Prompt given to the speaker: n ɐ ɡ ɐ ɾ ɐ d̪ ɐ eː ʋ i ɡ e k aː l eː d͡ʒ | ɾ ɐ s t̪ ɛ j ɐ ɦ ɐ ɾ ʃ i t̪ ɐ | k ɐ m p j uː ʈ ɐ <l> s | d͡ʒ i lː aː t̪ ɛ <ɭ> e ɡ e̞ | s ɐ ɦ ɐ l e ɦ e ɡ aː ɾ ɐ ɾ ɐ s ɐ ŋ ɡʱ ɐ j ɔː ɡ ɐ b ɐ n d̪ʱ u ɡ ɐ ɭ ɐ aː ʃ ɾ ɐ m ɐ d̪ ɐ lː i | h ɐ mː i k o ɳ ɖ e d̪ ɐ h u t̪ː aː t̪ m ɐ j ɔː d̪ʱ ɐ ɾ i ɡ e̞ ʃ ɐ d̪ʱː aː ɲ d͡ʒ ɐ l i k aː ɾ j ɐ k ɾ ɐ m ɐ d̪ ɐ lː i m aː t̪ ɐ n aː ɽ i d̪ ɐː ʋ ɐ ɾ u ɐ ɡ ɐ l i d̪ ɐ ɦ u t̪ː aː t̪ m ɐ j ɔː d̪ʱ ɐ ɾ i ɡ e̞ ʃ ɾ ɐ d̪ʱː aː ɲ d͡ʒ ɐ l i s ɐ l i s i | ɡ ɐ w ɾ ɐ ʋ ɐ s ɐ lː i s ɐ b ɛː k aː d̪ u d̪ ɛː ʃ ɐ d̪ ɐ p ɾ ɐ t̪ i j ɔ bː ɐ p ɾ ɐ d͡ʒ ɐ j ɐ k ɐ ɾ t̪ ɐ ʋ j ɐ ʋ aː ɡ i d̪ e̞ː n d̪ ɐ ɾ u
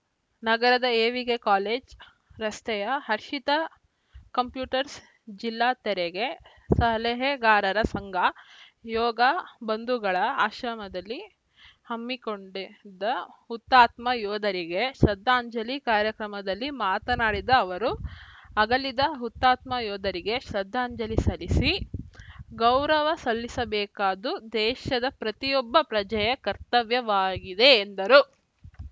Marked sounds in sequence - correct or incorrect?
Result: incorrect: ɾ, incorrect: ɾ

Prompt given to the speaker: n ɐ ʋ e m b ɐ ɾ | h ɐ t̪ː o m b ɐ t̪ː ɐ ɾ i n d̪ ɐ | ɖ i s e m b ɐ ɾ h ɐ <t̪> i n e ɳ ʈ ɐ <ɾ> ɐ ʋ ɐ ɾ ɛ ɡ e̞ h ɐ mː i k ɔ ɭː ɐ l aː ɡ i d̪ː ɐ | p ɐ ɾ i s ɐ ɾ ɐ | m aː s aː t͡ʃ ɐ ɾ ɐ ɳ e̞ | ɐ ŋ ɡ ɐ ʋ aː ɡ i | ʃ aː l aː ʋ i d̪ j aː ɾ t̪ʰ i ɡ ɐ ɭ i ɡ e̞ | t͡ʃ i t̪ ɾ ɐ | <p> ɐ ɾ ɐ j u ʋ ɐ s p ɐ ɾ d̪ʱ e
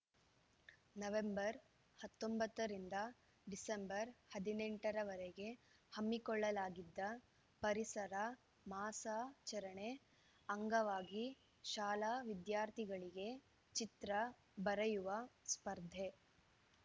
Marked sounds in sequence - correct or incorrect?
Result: incorrect: d̪, correct, incorrect: b

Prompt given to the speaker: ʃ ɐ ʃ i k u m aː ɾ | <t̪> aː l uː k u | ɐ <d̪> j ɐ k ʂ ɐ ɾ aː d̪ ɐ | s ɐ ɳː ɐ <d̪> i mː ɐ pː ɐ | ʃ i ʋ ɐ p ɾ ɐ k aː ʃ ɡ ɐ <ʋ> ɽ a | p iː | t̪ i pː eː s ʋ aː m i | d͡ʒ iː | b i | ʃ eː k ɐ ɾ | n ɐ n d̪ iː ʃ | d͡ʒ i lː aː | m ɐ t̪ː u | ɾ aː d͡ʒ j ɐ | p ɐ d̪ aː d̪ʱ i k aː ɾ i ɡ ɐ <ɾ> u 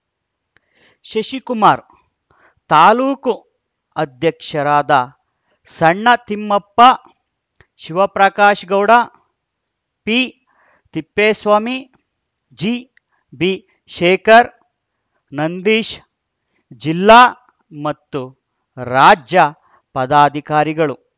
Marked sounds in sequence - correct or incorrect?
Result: correct, correct, incorrect: t̪, incorrect: w, incorrect: ɭ

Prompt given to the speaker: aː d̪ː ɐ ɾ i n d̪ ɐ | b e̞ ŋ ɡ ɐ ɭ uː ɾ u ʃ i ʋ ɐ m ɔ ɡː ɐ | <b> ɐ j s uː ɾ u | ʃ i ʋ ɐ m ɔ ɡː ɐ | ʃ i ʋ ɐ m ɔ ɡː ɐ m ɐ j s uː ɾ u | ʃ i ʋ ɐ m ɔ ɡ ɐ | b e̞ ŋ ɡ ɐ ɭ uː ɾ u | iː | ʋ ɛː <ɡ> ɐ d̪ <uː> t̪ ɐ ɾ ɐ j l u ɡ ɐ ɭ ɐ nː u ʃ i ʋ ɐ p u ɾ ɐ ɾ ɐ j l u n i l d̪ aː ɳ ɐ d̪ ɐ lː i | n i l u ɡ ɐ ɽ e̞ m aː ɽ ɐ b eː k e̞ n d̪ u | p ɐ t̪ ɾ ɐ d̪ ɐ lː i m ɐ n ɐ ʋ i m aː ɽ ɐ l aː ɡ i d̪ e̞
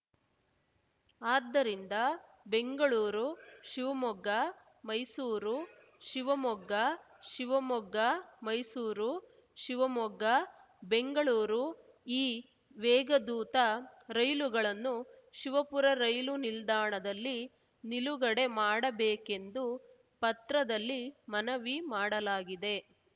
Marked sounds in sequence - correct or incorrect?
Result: incorrect: m, correct, correct

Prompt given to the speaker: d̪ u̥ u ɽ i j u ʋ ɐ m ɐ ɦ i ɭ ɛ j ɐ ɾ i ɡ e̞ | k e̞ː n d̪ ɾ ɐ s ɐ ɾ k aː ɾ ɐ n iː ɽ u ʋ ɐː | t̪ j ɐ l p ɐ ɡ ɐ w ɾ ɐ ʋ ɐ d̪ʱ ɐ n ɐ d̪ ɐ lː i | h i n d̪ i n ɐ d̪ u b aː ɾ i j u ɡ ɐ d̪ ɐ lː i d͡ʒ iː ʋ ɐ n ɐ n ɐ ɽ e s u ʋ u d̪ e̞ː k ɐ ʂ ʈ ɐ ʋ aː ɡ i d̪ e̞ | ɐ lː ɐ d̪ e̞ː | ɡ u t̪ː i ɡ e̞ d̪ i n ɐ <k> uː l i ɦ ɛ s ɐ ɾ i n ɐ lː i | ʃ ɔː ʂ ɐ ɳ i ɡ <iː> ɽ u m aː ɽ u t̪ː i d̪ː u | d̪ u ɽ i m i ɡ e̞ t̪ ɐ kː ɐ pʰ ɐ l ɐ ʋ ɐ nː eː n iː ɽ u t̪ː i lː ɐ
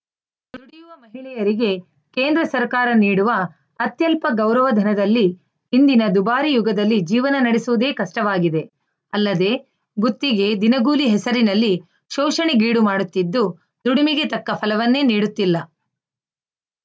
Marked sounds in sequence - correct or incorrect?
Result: incorrect: ɡ, correct

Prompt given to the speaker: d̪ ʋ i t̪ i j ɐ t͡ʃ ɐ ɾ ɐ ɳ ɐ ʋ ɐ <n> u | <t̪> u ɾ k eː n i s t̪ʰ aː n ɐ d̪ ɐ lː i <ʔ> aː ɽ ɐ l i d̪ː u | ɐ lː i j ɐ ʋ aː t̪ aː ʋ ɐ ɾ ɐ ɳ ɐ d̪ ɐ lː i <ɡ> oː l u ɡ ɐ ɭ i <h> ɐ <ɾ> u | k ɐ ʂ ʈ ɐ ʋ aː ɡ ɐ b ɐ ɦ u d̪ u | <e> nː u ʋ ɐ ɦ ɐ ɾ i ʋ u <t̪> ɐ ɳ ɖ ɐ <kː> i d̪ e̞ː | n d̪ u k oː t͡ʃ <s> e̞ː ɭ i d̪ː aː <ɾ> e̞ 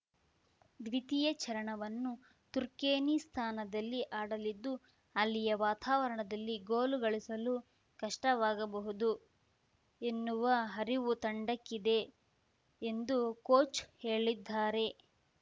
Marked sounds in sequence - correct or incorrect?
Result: incorrect: nː, correct, correct, correct, incorrect: s, incorrect: l, correct, correct, correct, incorrect: h, correct

